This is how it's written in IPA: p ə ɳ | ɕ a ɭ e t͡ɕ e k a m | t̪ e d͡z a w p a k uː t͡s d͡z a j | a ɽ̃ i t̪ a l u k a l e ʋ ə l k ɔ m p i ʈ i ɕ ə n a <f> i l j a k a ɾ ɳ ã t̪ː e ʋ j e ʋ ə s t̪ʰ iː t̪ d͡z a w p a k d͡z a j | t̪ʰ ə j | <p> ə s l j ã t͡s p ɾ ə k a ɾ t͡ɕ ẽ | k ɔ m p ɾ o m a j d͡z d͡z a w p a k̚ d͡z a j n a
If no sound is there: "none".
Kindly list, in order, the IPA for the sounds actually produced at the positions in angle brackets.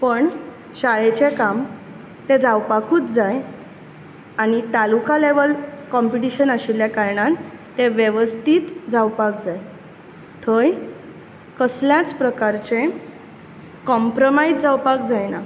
ɕ, k

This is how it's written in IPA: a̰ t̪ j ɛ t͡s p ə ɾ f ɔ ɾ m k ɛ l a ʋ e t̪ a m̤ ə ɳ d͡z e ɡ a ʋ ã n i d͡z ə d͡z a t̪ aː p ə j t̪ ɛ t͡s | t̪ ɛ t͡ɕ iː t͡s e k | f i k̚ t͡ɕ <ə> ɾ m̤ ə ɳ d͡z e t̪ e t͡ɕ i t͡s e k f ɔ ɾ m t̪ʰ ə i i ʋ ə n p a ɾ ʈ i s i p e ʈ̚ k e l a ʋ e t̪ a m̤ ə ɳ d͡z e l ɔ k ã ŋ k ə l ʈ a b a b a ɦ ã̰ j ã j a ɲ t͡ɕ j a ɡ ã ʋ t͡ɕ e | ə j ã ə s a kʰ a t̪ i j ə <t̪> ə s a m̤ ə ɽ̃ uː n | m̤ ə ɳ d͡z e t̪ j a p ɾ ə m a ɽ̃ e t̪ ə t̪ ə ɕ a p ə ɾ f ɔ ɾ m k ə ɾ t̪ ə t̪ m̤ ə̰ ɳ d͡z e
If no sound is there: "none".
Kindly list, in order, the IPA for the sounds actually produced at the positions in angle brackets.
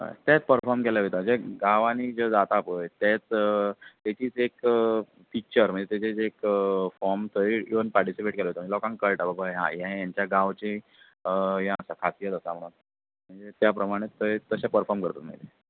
ə, t̪

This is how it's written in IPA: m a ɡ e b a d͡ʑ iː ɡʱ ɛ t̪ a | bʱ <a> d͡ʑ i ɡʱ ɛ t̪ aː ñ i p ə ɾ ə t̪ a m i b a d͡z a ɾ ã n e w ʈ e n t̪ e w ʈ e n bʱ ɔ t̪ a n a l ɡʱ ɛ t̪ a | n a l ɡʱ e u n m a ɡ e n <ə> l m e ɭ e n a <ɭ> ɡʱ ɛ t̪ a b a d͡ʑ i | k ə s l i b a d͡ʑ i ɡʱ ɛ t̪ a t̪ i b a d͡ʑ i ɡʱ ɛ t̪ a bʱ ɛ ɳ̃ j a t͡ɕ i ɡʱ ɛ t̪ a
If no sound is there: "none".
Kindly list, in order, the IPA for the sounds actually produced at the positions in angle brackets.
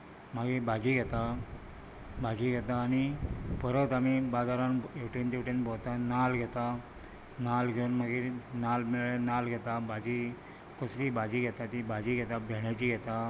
a, a, l

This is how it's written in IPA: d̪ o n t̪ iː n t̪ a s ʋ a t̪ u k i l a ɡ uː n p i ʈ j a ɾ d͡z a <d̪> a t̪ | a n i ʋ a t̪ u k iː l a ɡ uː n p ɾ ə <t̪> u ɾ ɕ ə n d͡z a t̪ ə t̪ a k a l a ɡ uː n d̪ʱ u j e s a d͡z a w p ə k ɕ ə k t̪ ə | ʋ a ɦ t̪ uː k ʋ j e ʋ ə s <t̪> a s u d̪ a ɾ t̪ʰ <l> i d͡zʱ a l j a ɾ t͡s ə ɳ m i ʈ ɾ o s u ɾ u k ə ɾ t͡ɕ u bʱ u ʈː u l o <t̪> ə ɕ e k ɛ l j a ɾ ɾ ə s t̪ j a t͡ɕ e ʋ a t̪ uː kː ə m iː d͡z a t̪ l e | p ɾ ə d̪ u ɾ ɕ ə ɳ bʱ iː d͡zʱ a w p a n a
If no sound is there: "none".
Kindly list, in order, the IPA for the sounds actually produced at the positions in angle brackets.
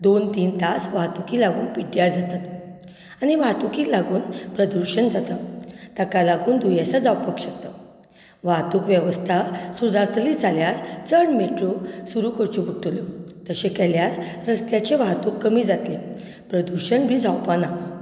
t̪, d̪, t̪ʰ, l, t̪

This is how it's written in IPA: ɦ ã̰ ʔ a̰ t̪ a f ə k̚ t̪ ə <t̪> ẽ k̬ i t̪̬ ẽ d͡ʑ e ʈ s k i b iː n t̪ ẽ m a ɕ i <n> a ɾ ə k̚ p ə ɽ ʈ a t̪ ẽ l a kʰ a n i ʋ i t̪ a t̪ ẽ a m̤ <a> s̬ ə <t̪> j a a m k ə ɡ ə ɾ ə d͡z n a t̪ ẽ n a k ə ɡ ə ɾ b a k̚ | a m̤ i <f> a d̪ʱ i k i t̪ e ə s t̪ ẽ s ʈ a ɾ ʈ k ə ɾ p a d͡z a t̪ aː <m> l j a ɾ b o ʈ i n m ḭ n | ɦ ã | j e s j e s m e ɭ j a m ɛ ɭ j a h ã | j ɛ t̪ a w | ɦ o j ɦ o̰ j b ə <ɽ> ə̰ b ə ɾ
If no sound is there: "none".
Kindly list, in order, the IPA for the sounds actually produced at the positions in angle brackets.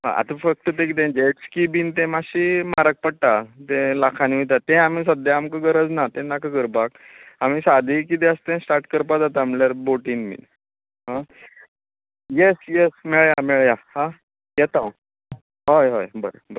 t̪, m, i, d̪, s, m, ɾ

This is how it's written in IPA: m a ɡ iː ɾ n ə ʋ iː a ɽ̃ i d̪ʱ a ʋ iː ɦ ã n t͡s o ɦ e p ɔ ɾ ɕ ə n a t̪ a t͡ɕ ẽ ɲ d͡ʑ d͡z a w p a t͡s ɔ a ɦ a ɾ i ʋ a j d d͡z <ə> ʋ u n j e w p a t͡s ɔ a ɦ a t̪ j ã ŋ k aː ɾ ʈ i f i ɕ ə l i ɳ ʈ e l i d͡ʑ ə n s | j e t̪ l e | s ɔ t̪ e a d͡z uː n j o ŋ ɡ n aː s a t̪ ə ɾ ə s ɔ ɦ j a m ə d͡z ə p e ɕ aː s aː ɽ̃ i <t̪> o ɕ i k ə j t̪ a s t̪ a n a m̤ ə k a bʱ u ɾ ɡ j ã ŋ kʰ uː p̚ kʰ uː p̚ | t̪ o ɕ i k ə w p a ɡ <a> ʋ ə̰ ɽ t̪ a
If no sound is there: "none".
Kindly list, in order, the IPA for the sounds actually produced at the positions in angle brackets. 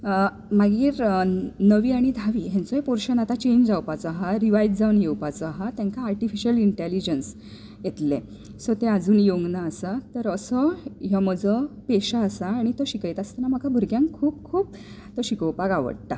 a, t̪, a

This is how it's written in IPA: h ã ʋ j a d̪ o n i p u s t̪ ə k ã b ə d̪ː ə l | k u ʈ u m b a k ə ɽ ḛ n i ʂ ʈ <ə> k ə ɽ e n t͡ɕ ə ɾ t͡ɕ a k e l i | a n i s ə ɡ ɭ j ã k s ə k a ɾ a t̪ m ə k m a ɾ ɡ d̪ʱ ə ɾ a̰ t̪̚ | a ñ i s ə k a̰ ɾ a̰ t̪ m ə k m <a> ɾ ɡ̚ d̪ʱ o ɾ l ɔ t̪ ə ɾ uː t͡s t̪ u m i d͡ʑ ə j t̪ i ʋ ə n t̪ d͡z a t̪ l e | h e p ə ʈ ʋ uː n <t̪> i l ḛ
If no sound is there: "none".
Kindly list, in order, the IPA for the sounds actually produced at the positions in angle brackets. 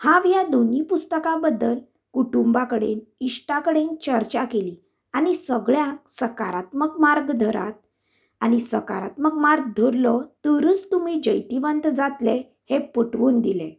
a, a, d̪

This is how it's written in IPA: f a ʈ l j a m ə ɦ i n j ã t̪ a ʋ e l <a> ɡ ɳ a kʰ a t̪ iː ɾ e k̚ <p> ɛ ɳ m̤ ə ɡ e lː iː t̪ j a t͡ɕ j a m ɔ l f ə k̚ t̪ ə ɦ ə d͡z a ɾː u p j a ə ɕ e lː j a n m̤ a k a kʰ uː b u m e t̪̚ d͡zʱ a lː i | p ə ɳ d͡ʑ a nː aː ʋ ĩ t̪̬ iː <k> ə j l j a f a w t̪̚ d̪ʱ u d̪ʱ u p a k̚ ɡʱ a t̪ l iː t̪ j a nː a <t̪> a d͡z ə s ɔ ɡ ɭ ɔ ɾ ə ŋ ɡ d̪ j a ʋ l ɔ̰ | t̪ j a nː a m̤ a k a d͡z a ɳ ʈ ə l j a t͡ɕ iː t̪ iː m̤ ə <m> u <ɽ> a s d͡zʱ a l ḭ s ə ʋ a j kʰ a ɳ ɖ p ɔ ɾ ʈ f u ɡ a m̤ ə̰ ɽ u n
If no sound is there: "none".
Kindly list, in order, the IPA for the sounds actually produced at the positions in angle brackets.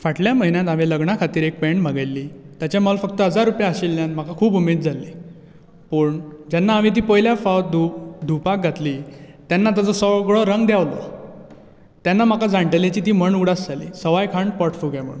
ə, p, p, t̪, ɳ, ɽ

